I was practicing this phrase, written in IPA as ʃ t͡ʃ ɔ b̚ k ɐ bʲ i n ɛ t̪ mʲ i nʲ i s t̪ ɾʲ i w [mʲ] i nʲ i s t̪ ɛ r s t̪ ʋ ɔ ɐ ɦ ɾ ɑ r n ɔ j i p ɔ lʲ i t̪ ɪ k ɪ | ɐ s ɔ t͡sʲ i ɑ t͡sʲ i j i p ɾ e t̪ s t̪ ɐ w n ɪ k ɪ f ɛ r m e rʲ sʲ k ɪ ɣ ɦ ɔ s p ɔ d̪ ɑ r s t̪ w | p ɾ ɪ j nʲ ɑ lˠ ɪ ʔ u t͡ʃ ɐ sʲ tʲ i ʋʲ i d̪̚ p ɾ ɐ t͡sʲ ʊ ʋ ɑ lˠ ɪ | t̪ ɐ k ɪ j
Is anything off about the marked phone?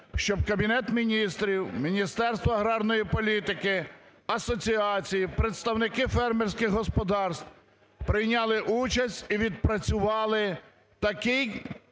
no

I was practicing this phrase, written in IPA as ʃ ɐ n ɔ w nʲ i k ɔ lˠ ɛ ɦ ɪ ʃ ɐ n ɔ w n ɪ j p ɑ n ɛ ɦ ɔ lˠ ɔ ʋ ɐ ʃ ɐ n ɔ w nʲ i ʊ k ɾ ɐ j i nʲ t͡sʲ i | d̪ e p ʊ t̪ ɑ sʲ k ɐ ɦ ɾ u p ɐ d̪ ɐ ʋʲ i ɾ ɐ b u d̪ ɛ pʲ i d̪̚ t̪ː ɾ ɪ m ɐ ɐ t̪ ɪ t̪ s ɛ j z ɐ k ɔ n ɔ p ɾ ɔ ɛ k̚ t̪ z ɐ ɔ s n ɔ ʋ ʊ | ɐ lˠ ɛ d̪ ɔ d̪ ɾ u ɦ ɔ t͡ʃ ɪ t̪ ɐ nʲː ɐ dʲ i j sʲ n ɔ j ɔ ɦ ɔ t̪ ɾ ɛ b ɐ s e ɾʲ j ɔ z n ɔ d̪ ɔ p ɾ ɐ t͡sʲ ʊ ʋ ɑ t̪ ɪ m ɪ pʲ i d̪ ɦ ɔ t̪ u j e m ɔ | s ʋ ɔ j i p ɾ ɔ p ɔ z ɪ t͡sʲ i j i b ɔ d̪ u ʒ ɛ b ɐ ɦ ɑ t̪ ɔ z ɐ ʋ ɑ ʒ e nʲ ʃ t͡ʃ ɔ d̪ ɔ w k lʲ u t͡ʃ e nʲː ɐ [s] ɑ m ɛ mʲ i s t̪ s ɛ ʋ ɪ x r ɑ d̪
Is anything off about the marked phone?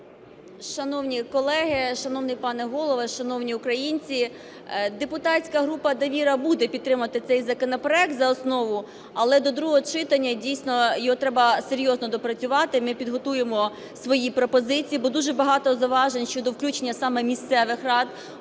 no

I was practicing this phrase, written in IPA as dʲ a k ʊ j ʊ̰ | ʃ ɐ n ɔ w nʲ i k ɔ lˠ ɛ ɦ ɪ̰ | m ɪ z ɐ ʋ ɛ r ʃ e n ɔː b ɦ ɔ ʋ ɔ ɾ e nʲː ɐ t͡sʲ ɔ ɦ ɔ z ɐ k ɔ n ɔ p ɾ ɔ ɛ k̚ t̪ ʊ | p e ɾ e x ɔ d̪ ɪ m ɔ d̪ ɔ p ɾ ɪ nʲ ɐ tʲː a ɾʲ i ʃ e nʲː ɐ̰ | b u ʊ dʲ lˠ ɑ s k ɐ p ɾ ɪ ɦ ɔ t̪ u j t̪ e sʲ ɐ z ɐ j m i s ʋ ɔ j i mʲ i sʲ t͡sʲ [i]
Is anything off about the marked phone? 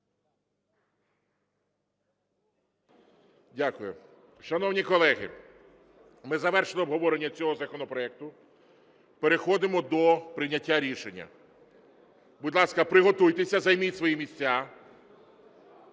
yes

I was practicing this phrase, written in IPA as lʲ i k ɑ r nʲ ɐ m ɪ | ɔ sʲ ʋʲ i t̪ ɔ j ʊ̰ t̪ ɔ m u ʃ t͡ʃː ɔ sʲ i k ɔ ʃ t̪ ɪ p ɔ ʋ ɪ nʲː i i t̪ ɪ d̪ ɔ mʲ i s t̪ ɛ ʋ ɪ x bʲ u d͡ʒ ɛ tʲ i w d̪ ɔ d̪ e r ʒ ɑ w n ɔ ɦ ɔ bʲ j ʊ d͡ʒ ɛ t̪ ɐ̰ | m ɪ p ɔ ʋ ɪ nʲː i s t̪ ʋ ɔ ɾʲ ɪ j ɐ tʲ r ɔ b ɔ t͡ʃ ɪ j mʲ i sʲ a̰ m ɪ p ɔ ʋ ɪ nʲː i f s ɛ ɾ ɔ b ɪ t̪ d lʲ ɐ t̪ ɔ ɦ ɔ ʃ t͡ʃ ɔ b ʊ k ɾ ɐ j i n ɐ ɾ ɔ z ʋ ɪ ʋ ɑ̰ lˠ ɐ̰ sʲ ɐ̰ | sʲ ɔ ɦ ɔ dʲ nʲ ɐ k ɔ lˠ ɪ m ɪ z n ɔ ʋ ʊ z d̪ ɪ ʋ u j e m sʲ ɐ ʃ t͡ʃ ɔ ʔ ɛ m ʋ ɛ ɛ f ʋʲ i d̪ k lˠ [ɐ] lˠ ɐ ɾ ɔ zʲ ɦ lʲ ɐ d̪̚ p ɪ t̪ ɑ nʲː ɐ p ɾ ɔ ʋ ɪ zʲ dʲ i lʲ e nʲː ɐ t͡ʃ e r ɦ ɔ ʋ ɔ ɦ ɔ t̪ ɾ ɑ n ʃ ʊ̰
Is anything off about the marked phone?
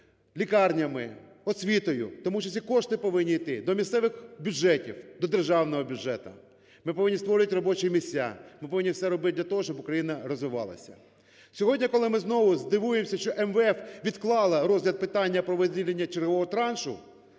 yes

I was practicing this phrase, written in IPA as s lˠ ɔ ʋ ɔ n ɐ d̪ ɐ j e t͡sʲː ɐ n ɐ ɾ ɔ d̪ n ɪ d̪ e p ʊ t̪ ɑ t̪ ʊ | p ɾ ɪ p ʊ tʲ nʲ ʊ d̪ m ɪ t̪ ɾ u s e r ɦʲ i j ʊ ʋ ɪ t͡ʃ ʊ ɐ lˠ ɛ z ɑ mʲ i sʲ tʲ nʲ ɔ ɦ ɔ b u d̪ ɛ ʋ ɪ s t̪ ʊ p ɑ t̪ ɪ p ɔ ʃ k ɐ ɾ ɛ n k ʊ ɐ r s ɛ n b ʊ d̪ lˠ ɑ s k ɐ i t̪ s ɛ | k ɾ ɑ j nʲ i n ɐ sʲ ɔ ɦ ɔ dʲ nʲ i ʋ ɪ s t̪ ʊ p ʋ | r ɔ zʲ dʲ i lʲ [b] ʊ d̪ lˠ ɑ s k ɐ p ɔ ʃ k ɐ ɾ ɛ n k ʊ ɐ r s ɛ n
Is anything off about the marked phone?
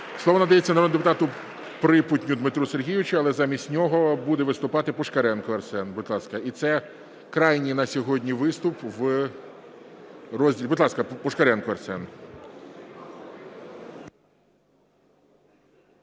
no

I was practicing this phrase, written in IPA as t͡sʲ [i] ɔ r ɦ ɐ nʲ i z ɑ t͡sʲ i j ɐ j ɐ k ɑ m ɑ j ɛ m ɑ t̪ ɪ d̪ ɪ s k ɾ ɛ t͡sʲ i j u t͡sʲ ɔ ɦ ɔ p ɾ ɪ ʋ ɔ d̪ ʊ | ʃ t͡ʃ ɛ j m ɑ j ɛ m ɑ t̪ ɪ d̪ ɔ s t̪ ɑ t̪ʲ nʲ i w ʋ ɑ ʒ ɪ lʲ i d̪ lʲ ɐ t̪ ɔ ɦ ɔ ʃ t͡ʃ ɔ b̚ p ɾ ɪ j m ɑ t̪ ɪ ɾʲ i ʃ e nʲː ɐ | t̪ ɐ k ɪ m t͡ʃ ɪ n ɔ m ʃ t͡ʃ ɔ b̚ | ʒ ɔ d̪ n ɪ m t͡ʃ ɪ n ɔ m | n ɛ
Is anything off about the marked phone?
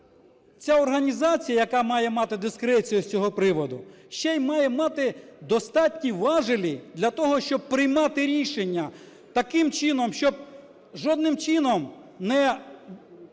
yes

